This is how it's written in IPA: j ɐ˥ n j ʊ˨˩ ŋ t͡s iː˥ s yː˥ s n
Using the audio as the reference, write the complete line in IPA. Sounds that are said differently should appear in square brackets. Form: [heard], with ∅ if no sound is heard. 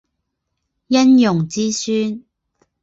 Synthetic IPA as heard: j ɐ˥ n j ʊ˨˩ ŋ t͡s iː˥ s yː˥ [∅] n